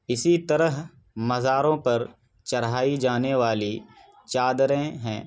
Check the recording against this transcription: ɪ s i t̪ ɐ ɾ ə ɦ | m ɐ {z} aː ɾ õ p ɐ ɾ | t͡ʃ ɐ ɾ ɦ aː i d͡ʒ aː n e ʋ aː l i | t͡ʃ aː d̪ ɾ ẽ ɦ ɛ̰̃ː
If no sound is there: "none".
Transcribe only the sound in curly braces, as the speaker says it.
z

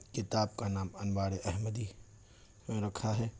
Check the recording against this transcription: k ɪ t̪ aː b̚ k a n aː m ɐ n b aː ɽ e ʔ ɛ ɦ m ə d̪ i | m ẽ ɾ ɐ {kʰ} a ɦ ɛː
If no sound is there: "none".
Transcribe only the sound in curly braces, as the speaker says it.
kʰ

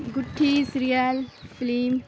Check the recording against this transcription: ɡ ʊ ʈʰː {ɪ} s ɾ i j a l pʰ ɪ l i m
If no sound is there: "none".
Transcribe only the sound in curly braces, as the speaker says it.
i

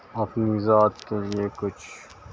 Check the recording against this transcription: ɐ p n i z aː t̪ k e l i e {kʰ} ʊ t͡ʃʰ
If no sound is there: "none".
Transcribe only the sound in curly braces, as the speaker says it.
k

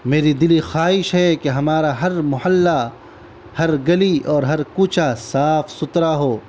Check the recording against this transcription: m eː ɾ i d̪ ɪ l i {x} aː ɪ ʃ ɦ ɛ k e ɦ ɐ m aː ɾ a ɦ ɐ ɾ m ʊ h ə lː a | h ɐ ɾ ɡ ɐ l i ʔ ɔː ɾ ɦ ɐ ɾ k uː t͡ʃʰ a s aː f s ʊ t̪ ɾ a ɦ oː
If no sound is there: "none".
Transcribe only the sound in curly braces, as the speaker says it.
x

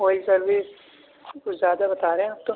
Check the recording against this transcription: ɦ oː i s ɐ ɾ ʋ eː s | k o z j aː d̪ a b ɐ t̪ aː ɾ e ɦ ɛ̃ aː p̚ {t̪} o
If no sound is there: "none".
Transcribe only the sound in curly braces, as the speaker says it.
t̪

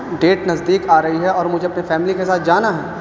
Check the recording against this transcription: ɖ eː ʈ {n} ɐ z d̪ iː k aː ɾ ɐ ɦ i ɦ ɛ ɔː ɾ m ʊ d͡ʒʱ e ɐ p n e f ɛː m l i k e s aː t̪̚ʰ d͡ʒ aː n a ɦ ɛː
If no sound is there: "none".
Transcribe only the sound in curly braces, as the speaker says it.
n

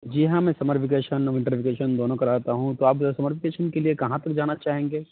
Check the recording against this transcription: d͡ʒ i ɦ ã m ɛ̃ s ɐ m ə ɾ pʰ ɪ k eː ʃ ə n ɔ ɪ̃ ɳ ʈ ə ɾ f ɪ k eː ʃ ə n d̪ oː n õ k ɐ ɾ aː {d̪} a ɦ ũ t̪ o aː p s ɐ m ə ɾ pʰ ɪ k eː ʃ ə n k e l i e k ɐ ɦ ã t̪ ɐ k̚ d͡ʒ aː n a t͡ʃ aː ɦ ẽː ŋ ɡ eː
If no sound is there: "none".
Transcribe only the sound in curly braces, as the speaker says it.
t̪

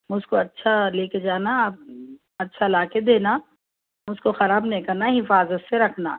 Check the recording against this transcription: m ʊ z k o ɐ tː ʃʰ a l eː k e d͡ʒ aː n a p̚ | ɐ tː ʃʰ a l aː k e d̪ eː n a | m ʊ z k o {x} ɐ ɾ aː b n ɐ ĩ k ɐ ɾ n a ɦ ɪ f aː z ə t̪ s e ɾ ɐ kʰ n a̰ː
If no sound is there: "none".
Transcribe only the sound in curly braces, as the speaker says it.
x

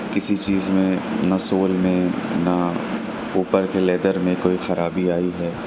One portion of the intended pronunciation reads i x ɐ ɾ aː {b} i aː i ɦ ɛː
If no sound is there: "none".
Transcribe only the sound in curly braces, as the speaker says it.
b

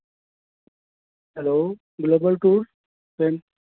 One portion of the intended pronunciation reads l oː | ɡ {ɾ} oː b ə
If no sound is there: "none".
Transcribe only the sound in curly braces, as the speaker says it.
l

